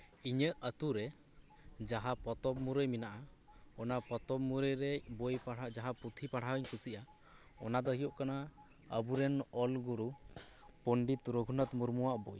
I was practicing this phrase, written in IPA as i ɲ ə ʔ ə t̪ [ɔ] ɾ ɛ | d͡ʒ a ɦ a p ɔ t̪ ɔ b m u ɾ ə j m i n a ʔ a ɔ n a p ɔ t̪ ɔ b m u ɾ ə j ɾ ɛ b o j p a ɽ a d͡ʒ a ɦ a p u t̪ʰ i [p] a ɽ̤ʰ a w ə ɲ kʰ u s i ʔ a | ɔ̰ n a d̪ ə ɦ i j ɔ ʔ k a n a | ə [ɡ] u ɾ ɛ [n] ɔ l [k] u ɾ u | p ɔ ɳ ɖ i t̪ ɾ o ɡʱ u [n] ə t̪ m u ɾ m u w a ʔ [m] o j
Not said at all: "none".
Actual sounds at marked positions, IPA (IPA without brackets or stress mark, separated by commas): u, p, b, n, ɡ, n, b